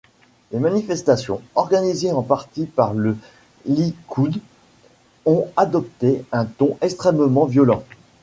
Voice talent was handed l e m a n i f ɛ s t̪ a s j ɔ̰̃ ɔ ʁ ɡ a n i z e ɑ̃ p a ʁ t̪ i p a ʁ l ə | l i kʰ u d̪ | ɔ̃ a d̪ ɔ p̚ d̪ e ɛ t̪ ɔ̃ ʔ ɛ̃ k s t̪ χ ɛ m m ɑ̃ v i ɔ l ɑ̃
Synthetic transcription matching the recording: l e m a n i f ɛ s t̪ a s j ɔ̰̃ ɔ ʁ ɡ a n i z e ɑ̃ p a ʁ t̪ i p a ʁ l ə | l i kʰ u d̪ | ɔ̃ a d̪ ɔ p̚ t̪ e ɛ̃ t̪ ɔ̃ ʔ ɛ k s t̪ χ ɛ m m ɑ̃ v j ɔ l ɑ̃